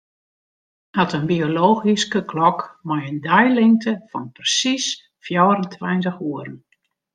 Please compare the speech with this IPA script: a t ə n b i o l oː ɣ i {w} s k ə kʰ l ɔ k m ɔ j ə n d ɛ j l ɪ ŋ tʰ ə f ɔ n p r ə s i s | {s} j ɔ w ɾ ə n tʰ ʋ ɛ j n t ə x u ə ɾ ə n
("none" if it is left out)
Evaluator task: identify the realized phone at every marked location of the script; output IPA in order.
none, f

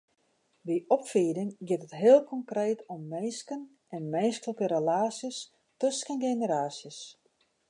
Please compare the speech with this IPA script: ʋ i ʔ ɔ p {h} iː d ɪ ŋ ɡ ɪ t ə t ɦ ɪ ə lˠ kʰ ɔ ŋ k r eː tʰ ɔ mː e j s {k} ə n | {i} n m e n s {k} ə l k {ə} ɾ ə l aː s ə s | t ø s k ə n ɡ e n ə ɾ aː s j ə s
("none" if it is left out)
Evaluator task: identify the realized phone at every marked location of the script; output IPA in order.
f, k, ɛ, k, ə

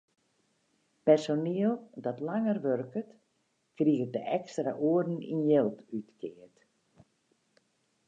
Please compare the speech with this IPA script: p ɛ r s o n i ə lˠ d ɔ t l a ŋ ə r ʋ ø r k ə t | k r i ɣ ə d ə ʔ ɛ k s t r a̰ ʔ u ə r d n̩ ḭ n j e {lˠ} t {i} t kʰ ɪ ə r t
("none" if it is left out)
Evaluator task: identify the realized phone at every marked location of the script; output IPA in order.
lˠ, y

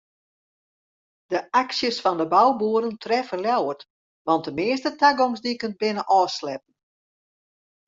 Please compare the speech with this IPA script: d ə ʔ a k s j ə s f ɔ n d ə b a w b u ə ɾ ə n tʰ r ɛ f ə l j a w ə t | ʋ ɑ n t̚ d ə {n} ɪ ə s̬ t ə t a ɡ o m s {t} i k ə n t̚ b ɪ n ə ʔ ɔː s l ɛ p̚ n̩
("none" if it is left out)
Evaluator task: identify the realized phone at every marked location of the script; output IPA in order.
m, d

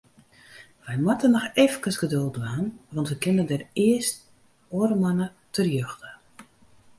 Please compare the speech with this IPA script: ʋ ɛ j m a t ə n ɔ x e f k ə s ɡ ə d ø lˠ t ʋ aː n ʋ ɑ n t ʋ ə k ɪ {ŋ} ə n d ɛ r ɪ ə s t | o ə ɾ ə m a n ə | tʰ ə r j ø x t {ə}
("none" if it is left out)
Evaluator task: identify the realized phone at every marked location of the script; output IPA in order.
n, ə

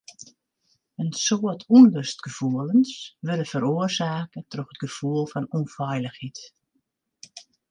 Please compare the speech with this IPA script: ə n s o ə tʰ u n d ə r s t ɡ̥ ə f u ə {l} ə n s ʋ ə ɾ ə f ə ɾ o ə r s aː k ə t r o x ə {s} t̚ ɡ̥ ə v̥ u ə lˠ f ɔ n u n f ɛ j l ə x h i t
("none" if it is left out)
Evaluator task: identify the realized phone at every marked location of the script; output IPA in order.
l, none

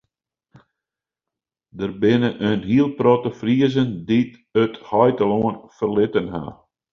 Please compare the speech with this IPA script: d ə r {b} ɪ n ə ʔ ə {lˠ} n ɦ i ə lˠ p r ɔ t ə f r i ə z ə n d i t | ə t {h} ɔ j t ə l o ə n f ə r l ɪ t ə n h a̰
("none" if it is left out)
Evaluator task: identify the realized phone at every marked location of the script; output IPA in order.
b, none, h

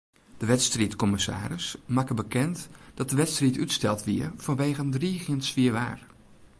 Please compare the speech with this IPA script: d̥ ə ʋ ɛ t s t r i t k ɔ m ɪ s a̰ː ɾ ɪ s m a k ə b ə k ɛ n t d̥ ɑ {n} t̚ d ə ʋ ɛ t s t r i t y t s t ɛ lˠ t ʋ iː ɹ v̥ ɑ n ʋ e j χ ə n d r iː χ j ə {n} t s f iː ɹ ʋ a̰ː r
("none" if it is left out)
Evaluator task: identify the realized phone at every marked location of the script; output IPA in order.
none, n

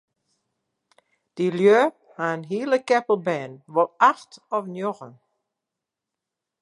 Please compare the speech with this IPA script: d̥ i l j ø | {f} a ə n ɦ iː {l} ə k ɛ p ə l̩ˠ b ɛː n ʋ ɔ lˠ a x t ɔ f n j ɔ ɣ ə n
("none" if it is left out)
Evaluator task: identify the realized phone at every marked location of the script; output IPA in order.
h, l

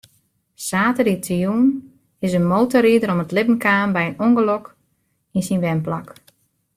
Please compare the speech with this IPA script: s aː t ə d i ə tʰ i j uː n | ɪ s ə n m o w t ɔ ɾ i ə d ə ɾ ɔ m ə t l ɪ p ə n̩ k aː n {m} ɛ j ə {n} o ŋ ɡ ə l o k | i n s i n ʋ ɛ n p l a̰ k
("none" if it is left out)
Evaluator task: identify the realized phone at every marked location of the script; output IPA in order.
b, n

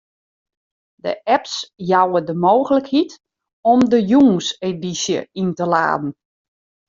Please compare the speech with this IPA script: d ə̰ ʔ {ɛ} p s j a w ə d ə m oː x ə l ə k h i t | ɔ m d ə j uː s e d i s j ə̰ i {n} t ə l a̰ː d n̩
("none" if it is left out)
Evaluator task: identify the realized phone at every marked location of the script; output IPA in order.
ɛ, n

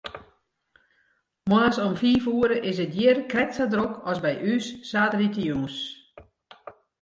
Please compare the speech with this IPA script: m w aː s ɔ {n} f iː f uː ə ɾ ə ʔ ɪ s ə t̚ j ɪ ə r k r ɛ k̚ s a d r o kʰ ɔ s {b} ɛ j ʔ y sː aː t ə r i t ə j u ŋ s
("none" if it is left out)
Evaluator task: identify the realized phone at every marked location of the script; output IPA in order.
m, b

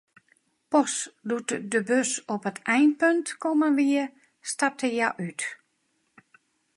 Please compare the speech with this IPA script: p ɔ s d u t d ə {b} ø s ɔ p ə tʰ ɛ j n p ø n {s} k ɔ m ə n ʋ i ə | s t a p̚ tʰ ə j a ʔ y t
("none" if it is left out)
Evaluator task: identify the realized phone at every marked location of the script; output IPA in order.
b, t

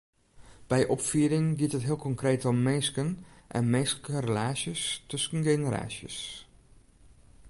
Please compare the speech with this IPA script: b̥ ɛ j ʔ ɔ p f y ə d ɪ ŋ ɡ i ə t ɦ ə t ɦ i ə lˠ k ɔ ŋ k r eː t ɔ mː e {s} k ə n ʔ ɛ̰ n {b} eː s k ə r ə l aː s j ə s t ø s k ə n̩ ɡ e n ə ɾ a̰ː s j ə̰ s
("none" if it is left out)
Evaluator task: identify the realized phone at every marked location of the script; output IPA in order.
s, m

